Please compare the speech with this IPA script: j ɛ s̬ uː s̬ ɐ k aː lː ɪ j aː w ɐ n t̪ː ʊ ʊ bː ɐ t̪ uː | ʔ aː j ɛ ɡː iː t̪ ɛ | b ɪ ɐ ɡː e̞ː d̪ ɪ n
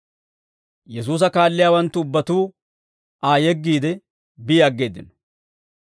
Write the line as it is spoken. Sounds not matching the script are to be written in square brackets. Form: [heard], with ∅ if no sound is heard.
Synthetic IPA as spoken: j ɛ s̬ uː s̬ ɐ k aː lː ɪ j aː w ɐ n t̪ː ʊ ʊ bː ɐ t̪ uː | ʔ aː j ɛ ɡː iː [d̪] ɛ | b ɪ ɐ ɡː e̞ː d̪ ɪ n